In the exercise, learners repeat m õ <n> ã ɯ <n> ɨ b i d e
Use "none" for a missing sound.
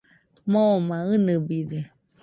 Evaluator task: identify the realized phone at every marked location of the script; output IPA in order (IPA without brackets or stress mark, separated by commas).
m, n